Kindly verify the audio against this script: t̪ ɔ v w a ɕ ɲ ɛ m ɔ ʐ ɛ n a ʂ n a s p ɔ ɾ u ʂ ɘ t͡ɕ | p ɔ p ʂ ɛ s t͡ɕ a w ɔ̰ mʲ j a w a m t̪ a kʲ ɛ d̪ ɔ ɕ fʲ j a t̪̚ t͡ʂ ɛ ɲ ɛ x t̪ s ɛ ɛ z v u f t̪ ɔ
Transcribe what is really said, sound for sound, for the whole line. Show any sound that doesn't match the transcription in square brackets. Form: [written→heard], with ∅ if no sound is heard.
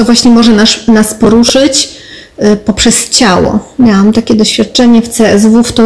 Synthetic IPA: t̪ ɔ v w a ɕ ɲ ɛ m ɔ ʐ ɛ n a ʂ n a s p ɔ ɾ u ʂ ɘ t͡ɕ | p ɔ p ʂ ɛ s t͡ɕ a w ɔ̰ mʲ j a w a m t̪ a kʲ ɛ d̪ ɔ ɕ fʲ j a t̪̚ t͡ʂ ɛ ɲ ɛ [x→f] t̪ s ɛ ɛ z v u f t̪ ɔ